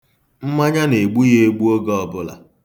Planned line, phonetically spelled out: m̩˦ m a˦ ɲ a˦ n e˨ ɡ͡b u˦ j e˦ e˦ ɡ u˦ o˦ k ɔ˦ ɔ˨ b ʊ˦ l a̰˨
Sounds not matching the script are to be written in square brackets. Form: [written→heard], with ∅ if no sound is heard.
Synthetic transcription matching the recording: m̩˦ m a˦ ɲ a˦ n e˨ ɡ͡b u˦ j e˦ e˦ [ɡ→ɡ͡b] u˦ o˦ [k→ɡ] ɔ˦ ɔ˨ b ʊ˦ l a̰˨

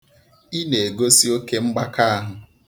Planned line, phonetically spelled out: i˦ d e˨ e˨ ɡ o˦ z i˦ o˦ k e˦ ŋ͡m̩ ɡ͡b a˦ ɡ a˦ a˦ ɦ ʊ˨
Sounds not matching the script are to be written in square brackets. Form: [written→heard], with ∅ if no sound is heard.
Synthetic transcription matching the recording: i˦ [d→n] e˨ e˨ ɡ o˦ [z→s] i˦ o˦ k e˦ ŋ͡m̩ ɡ͡b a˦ [ɡ→k] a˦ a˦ ɦ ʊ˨

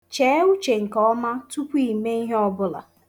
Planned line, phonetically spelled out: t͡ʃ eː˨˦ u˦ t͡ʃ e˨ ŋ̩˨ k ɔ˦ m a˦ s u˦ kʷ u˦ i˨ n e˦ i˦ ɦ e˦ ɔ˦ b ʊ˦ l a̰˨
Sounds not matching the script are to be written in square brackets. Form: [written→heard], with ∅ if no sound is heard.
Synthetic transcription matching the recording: t͡ʃ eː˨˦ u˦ t͡ʃ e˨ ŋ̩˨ k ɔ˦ m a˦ [s→t] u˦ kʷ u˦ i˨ [n→m] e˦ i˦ ɦ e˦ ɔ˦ b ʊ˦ l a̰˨

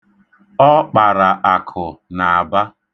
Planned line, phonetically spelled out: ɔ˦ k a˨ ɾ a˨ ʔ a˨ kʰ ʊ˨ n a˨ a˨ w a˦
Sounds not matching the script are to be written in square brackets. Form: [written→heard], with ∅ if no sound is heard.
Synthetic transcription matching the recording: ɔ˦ [k→k͡p] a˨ ɾ a˨ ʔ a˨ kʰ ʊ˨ n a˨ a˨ [w→b] a˦

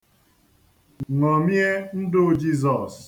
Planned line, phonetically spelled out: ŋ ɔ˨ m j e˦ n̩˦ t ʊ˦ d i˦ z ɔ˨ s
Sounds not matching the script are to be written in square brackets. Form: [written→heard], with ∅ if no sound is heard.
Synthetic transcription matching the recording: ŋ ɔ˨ m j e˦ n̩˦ [t→d] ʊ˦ [d→d͡ʒ] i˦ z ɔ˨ s

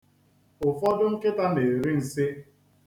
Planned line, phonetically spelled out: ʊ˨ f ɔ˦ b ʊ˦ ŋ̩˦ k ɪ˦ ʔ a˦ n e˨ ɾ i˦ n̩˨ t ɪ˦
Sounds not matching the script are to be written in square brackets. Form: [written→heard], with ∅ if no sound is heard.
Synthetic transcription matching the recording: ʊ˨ f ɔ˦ [b→d] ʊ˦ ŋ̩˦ k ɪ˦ [ʔ→t] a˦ n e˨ ɾ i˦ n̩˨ [t→s] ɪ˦

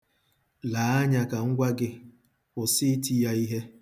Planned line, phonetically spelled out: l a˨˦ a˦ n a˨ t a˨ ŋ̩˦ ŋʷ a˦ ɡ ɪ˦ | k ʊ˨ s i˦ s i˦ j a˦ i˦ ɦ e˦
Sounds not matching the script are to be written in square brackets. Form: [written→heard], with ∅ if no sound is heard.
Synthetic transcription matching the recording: l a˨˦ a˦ [n→ɲ] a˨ [t→k] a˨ ŋ̩˦ [ŋʷ→ɡʷ] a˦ ɡ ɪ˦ | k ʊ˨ s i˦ [s→t] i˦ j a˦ i˦ ɦ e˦

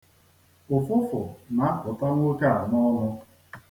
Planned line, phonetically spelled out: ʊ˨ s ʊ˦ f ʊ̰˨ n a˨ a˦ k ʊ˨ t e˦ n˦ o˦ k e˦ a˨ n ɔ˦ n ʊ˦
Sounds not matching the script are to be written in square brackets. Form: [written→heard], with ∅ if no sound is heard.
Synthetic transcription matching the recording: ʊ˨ [s→f] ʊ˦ f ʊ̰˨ n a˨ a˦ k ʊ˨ t [e˦→a˦] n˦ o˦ k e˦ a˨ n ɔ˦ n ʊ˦

